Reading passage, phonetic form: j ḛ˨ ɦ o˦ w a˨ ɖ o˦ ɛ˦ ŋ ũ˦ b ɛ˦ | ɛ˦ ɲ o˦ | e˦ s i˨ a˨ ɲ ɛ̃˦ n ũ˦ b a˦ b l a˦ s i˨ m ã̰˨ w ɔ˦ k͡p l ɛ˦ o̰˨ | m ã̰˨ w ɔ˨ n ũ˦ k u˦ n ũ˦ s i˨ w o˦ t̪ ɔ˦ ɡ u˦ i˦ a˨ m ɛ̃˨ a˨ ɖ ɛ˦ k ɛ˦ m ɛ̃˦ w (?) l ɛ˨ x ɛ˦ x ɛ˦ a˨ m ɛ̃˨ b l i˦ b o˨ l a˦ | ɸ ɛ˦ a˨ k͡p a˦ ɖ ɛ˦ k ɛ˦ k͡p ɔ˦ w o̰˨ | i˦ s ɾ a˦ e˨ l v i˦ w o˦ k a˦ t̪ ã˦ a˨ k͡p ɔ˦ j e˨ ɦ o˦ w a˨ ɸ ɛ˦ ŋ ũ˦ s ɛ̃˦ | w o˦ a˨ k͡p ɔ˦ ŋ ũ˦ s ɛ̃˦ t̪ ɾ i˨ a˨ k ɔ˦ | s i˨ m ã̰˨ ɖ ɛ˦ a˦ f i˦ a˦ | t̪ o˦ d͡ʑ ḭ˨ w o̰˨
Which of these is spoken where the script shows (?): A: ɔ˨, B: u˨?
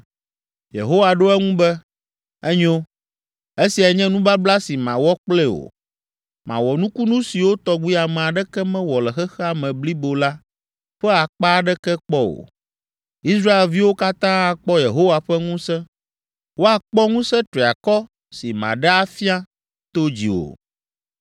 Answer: A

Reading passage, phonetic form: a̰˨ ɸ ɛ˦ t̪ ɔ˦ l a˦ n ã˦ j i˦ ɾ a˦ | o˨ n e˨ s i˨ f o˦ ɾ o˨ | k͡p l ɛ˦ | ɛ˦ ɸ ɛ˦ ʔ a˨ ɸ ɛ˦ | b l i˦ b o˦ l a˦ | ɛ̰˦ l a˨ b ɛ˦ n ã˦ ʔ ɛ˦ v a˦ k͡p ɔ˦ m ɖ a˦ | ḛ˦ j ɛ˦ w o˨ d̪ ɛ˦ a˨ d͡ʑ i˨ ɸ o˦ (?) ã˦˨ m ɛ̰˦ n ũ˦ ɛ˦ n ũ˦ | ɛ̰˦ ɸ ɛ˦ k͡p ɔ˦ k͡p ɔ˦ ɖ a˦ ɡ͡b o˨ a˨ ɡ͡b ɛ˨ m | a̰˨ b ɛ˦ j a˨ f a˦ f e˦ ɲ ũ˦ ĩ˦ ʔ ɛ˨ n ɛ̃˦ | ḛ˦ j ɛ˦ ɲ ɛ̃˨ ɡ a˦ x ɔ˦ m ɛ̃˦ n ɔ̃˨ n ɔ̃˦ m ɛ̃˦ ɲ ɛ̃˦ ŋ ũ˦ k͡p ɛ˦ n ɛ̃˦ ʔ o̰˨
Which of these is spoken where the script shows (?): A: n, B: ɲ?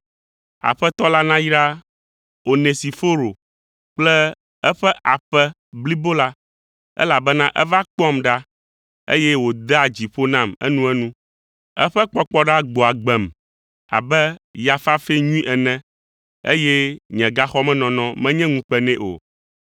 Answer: A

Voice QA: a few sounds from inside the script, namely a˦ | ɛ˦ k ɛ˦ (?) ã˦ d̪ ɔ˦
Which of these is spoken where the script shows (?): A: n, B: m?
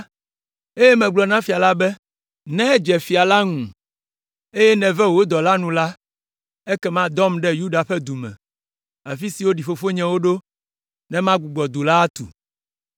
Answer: B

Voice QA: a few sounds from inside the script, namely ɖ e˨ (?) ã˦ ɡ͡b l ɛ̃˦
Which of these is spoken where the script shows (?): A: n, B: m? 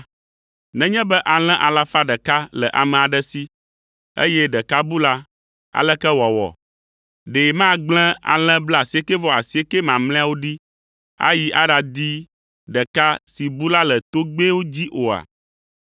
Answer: B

